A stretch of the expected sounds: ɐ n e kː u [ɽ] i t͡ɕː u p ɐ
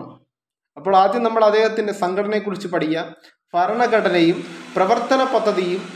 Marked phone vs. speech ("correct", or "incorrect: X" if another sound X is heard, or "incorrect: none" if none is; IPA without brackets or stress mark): incorrect: r